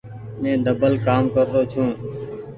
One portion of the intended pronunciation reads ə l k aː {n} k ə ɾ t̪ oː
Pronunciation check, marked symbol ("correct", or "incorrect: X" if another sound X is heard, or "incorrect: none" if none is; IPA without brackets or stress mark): incorrect: m